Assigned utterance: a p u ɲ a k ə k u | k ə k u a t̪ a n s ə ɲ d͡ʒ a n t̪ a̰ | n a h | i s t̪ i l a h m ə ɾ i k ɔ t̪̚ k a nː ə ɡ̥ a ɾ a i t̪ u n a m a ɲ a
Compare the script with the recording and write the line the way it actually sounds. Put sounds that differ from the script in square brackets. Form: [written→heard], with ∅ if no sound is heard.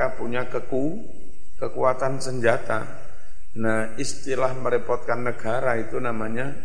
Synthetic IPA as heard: a p u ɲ a k ə k u | k ə k u a t̪ a n s ə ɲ d͡ʒ a [n→∅] t̪ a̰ | n a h | i s t̪ i l a h m ə ɾ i [k→p] ɔ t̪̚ k a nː ə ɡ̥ a ɾ a i t̪ u n a m a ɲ a